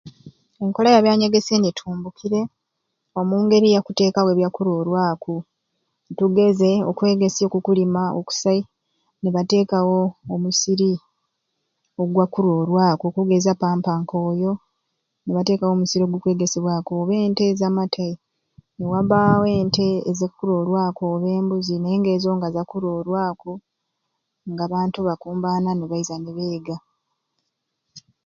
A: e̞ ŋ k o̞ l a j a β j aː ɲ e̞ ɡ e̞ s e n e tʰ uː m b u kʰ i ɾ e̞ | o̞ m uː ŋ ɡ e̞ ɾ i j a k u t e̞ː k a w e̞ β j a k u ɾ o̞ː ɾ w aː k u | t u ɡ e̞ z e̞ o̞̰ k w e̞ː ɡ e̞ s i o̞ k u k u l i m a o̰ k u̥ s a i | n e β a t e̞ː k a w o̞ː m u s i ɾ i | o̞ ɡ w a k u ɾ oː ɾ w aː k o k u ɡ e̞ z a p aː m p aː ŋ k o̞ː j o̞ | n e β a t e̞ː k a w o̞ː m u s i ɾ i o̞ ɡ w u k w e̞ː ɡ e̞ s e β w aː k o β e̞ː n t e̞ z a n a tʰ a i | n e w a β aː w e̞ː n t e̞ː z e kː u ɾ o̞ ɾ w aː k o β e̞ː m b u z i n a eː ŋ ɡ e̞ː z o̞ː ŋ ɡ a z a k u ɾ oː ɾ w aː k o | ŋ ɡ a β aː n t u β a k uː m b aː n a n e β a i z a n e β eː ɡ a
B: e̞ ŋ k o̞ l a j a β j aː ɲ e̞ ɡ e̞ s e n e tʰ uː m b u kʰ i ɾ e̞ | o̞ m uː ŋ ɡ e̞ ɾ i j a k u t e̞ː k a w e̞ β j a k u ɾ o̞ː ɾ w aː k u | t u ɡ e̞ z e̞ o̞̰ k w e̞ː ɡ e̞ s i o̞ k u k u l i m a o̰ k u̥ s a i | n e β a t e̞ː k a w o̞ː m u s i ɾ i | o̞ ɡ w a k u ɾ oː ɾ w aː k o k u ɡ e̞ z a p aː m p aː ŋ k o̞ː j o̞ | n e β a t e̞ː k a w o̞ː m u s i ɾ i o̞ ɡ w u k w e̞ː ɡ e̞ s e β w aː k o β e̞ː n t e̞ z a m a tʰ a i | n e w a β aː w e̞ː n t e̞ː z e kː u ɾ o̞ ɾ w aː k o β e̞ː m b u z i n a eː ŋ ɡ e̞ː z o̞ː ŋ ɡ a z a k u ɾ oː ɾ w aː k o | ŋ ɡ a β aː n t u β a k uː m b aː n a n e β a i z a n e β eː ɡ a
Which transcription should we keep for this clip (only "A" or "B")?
B